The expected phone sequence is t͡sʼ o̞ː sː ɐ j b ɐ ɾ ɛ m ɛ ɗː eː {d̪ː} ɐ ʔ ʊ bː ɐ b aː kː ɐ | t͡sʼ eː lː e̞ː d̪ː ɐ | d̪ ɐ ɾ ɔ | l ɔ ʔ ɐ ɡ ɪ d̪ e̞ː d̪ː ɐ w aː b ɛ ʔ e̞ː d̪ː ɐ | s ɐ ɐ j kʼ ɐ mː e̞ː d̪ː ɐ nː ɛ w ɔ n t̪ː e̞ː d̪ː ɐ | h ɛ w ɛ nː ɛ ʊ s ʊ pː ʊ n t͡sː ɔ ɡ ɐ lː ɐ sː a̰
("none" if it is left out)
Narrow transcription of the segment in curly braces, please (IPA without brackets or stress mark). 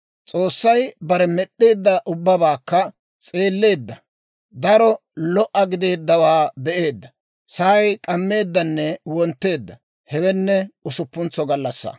d̪ː